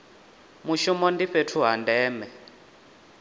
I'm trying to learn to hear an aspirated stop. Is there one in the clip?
yes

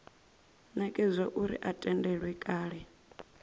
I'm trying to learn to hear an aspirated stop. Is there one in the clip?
no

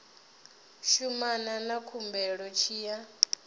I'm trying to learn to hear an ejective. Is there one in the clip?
no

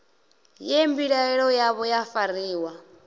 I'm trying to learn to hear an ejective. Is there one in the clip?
no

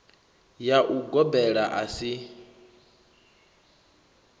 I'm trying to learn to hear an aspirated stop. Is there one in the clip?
no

